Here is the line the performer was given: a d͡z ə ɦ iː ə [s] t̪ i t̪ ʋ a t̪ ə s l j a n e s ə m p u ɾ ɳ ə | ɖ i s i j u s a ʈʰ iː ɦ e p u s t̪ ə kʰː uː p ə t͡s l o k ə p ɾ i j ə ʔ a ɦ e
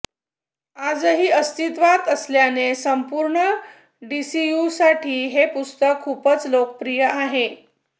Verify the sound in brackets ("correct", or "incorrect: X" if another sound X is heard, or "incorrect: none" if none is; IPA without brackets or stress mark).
correct